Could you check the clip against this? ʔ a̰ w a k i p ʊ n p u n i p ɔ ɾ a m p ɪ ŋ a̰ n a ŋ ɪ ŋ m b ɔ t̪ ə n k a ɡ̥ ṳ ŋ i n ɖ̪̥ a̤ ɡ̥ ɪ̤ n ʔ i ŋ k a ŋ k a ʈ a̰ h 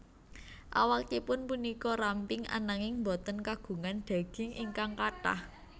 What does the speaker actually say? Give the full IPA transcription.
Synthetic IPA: ʔ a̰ w a k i p ʊ n p u n i k ɔ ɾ a m p ɪ ŋ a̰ n a ŋ ɪ ŋ m b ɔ t̪ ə n k a ɡ̥ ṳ ŋ a n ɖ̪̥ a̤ ɡ̥ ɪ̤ ŋ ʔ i ŋ k a ŋ k a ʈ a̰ h